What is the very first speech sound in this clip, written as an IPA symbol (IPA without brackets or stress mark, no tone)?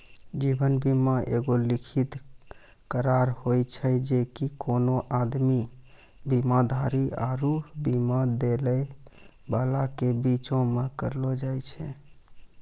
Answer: d͡ʒ